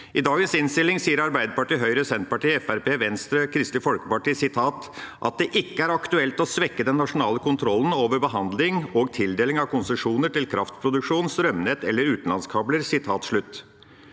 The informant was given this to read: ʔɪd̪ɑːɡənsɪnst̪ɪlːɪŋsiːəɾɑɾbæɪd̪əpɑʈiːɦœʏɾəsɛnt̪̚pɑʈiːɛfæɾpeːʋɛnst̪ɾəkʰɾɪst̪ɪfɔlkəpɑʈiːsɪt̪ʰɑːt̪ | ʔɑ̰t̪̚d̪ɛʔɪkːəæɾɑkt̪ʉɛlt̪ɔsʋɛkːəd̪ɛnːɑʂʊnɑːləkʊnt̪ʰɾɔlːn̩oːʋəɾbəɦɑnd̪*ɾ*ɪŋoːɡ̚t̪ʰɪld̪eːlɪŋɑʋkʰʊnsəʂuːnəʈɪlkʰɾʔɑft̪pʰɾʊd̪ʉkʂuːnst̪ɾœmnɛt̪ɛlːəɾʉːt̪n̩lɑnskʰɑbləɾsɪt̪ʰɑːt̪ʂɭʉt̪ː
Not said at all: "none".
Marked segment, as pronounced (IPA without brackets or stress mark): l